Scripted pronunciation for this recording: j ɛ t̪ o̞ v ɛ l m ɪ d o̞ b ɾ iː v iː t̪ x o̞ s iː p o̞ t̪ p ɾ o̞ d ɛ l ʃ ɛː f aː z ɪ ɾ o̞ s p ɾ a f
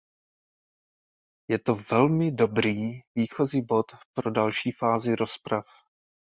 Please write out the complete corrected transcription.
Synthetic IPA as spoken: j ɛ t̪ o̞ v ɛ l m ɪ d o̞ b ɾ iː v iː x o̞ z iː b o̞ t̪ p ɾ o̞ d a l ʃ iː f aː z ɪ ɾ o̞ s p ɾ a f